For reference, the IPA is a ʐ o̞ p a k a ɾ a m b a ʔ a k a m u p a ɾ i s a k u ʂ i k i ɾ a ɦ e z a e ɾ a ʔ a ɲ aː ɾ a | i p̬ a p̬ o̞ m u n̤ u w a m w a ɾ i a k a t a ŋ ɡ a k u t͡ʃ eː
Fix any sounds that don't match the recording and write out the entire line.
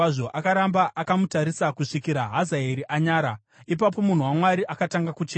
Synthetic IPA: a ʐ o̞ ʔ a k a ɾ a m b a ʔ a k a m u t a ɾ i s a k u ʂ i k i ɾ a ɦ a z a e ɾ i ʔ a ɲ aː ɾ a | i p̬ a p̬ o̞ m u n̤ u w a m w a ɾ i a k a t a ŋ ɡ a k u t͡ʃ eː